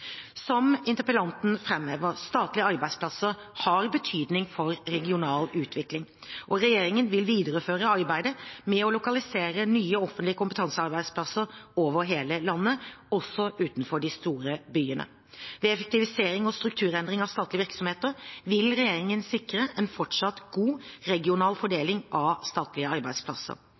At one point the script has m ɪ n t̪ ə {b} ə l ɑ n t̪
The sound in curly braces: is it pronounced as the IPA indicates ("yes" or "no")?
no